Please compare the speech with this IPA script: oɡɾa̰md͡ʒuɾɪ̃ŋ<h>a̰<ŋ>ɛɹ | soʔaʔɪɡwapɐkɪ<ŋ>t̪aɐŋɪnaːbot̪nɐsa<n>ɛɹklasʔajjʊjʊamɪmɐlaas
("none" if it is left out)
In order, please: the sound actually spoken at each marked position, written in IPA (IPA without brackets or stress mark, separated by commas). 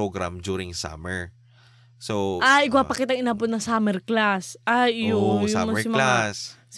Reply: s, m, none, m